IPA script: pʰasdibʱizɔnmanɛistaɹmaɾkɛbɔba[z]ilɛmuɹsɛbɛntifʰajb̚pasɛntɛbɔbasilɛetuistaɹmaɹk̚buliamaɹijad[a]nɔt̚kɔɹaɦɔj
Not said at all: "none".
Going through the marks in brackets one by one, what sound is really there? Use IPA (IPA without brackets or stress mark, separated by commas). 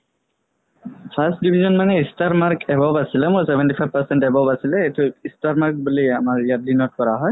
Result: s, i